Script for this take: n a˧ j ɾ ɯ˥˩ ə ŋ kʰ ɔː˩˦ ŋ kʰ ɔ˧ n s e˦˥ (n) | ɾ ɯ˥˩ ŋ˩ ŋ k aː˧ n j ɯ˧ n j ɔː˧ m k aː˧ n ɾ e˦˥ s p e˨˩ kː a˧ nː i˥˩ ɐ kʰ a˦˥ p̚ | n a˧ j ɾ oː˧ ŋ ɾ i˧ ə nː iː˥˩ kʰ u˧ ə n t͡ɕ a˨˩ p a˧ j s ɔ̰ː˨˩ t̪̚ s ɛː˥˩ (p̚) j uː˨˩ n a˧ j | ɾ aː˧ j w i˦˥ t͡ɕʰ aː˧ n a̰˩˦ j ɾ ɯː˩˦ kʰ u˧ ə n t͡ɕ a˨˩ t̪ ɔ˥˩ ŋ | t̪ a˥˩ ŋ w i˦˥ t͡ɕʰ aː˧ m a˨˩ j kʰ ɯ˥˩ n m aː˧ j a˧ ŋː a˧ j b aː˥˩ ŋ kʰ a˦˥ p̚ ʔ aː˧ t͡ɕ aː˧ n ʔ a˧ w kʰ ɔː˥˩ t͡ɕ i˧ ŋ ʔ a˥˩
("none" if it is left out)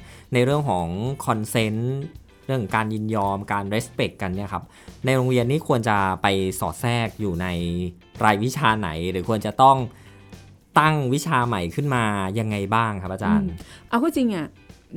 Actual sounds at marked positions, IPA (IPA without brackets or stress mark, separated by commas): n, k̚